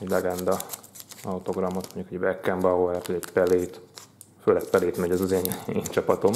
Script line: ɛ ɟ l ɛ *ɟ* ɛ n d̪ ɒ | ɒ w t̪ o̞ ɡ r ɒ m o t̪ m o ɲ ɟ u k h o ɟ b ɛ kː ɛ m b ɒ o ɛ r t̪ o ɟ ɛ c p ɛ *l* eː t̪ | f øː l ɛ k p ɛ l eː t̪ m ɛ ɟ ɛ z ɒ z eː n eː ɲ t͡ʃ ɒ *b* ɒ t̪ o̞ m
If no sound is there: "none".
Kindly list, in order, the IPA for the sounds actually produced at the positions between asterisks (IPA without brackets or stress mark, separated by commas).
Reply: ɡ, l, p